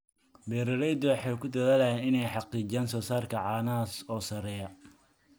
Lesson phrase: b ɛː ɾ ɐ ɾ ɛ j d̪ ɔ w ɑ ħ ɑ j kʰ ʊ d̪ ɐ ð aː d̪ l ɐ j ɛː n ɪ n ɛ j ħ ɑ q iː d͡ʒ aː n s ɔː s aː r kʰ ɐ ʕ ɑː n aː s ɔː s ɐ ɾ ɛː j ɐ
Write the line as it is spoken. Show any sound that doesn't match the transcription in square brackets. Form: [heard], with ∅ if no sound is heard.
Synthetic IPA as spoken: b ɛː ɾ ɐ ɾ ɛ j d̪ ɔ w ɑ ħ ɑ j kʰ ʊ d̪ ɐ ð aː [∅] l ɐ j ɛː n ɪ n ɛ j ħ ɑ q iː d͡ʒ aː n s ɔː s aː r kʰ ɐ ʕ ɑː n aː s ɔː s ɐ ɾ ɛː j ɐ

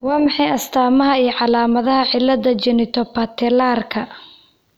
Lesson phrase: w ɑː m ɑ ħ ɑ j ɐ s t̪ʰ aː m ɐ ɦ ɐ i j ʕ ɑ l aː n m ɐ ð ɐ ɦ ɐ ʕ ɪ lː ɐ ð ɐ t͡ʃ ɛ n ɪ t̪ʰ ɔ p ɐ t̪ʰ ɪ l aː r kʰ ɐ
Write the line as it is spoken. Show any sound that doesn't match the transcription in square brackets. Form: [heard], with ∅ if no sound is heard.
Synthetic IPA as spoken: w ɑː m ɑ ħ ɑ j ɐ s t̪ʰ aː m ɐ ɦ ɐ i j ʕ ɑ l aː [∅] m ɐ ð ɐ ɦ ɐ ʕ ɪ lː ɐ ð ɐ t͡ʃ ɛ n ɪ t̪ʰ ɔ p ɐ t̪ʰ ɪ l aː r kʰ ɐ

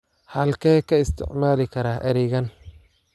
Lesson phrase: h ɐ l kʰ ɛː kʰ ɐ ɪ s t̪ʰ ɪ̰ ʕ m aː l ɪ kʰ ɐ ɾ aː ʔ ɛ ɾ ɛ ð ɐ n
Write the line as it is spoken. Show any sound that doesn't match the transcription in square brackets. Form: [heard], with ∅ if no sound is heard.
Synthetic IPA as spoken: h ɐ l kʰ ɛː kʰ ɐ ɪ s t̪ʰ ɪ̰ ʕ m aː l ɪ kʰ ɐ ɾ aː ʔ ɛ ɾ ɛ [ɣ] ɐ n

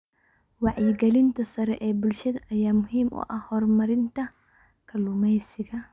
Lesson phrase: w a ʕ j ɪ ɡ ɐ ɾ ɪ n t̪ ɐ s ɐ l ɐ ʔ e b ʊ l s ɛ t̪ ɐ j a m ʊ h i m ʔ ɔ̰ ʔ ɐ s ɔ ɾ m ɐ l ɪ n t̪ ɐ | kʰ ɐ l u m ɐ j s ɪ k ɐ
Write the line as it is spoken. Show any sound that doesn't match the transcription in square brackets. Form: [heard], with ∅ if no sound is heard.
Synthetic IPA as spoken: w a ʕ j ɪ ɡ ɐ [l] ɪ n t̪ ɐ s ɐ [ɾ] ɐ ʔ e b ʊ l [ʃ] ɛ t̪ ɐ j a m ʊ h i m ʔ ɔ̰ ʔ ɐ [h] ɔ ɾ m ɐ [ɾ] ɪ n t̪ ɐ | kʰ ɐ l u m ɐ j s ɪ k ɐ

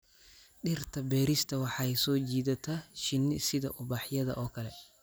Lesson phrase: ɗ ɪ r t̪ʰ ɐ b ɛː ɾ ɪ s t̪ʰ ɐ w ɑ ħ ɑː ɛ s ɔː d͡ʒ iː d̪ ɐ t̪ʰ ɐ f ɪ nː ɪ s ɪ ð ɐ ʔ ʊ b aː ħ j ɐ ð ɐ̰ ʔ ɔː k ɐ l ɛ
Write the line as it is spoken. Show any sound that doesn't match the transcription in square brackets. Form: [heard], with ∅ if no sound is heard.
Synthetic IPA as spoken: ɗ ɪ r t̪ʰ ɐ b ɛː ɾ ɪ s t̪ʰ ɐ w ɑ ħ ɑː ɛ s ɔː d͡ʒ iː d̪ ɐ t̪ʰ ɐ [ʃ] ɪ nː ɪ s ɪ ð ɐ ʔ ʊ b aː ħ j ɐ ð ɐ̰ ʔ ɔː k ɐ l ɛ

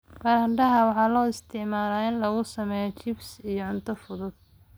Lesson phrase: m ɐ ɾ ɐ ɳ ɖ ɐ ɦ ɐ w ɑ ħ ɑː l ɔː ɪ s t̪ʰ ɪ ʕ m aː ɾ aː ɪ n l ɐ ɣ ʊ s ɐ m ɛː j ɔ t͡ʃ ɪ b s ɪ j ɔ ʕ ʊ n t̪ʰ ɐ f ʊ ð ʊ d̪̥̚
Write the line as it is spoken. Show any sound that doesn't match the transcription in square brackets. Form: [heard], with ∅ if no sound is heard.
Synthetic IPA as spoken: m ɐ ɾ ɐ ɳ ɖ ɐ ɦ ɐ w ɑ ħ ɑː l ɔː ɪ s t̪ʰ ɪ ʕ m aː [l] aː ɪ n l ɐ ɣ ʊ s ɐ m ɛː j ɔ t͡ʃ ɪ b s [i] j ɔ ʕ ʊ n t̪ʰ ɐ f ʊ ð ʊ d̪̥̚

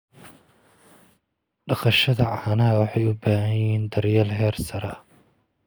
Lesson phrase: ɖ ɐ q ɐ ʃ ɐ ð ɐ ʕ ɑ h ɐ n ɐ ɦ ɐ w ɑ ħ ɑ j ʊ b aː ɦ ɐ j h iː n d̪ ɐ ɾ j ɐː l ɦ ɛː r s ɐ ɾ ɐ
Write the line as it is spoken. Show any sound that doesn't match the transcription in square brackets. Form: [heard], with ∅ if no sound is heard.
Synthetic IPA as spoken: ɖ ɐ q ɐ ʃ ɐ ð ɐ ʕ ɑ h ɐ n ɐ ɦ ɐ w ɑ ħ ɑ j ʊ b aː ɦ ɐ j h iː n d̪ ɐ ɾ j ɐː l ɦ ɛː r s ɐ ɾ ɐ

